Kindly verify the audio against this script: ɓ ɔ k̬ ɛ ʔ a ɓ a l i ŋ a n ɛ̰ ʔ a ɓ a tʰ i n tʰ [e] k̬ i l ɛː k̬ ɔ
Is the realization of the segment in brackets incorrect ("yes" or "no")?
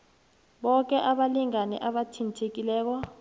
no